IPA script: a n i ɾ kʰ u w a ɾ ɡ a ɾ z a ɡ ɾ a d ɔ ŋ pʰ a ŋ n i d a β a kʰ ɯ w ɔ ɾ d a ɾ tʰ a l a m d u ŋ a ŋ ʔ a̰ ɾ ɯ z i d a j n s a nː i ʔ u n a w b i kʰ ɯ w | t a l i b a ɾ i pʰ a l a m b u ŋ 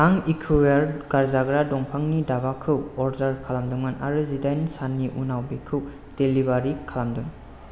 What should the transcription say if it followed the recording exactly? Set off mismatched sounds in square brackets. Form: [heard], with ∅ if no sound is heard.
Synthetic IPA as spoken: a [ŋ] i [∅] kʰ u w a ɾ ɡ a ɾ z a ɡ ɾ a d ɔ ŋ pʰ a ŋ n i d a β a kʰ ɯ w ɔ ɾ d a ɾ [kʰ] a l a m d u ŋ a [n] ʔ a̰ ɾ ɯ z i d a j n s a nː i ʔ u n a w b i kʰ ɯ w | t [e] l i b a ɾ i [kʰ] a l a m [d] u ŋ

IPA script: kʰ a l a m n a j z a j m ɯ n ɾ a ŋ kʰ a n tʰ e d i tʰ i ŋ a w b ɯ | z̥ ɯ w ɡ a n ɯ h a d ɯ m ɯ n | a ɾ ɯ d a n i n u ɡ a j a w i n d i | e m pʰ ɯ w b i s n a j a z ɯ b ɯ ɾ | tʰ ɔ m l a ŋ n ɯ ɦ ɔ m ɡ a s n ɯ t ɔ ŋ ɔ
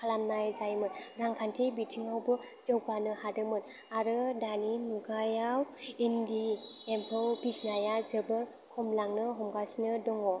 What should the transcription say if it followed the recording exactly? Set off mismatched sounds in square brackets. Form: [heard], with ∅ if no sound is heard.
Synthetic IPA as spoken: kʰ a l a m n a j z a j m ɯ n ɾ a ŋ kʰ a n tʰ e [b] i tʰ i ŋ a w b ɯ | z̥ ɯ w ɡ a n ɯ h a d ɯ m ɯ n | a ɾ ɯ d a n i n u ɡ a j a w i n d i | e m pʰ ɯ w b i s n a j a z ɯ b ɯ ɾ | [kʰ] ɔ m l a ŋ n ɯ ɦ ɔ m ɡ a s n ɯ [d] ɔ ŋ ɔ

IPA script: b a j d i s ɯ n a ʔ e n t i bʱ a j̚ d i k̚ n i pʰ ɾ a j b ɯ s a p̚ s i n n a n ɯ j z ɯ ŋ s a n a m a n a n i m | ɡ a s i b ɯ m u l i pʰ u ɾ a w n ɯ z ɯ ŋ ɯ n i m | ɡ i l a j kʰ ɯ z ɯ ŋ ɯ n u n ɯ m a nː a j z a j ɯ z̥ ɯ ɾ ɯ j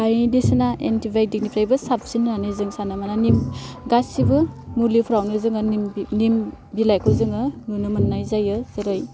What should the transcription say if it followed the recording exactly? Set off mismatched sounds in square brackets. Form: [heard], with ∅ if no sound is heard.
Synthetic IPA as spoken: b a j d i s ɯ n a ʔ e n t i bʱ a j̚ d i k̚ n i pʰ ɾ a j b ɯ s a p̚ s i n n a n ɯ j z ɯ ŋ s a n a m a n a n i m | ɡ a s i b ɯ m u l i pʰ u ɾ a w n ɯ z ɯ ŋ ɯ n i m | [b] i l a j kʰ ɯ z ɯ ŋ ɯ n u n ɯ m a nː a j z a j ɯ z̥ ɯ ɾ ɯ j

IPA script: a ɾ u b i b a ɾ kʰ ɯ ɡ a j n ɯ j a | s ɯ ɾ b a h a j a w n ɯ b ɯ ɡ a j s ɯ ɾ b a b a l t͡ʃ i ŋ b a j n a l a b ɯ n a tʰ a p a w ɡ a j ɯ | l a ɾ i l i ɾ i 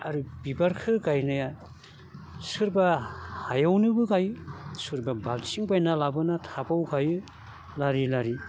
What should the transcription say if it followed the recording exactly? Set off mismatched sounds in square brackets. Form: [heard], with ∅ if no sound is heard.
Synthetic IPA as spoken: a ɾ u b i b a ɾ kʰ ɯ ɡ a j n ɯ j a | s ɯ ɾ b a h a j a w n ɯ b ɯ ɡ a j s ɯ ɾ b a b a l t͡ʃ i ŋ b a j n a l a b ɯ n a tʰ a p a w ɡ a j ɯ | l a ɾ i l [a] ɾ i

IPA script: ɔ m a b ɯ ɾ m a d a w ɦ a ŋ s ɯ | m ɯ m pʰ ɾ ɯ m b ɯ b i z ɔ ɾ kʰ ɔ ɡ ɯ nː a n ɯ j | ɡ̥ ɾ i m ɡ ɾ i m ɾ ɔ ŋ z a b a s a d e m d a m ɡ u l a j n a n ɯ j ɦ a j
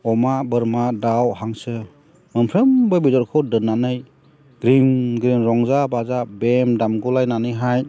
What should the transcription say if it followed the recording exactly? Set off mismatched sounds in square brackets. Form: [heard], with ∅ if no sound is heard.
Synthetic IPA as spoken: ɔ m a b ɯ ɾ m a d a w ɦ a ŋ s ɯ | m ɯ m pʰ ɾ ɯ m b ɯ b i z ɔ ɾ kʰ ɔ [d] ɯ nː a n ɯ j | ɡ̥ ɾ i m ɡ ɾ i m ɾ ɔ ŋ z a b a [z] a [b] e m d a m ɡ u l a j n a n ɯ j ɦ a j

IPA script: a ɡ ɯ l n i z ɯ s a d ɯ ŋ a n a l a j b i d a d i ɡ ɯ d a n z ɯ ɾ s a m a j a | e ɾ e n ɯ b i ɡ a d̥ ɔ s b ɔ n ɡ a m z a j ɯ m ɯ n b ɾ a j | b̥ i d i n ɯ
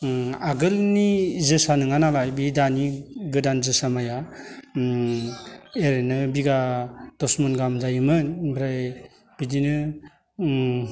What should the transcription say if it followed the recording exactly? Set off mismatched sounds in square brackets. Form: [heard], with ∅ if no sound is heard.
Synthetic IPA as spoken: a ɡ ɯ l n i z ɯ s a [n] ɯ ŋ a n a l a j b i d a [n] i ɡ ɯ d a n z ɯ [∅] s a m a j a | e ɾ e n ɯ b i ɡ a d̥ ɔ s [m] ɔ n ɡ a m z a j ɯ m ɯ n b ɾ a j | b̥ i d i n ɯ

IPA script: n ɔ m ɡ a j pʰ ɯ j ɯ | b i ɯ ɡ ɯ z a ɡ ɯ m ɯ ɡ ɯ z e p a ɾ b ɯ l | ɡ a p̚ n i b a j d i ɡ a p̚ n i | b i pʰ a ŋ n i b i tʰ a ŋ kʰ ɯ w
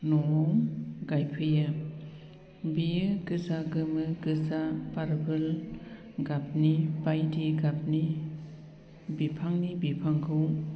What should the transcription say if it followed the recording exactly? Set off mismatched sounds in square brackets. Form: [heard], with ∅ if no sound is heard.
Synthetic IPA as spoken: n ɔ m ɡ a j pʰ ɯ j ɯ | b i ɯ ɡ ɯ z a ɡ ɯ m ɯ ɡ ɯ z [a] p a ɾ b ɯ l | ɡ a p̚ n i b a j d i ɡ a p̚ n i | b i pʰ a ŋ n i b i [pʰ] a ŋ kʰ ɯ w

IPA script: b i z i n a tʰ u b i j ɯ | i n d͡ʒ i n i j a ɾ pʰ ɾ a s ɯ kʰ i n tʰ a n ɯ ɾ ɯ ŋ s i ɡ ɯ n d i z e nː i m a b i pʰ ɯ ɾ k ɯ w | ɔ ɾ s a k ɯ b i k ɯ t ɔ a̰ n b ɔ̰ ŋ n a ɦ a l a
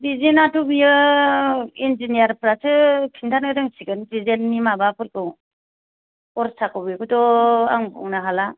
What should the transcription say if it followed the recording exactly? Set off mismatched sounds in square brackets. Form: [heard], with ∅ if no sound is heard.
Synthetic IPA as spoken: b i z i n a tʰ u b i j ɯ | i n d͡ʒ i n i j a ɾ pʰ ɾ a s ɯ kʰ i n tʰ a n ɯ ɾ ɯ ŋ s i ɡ ɯ n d i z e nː i m a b [a] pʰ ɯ ɾ k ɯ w | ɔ ɾ s a k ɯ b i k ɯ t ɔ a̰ [ŋ] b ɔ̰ ŋ n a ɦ a l a

